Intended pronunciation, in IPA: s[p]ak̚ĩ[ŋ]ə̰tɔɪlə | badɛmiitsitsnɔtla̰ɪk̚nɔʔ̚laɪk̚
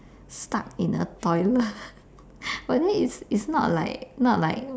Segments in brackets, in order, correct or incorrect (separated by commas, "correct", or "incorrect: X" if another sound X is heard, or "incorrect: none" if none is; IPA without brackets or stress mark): incorrect: t, incorrect: n